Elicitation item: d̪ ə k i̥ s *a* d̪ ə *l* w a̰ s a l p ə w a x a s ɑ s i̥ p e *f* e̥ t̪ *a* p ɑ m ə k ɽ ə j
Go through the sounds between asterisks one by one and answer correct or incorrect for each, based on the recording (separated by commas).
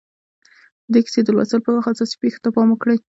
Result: incorrect, correct, incorrect, correct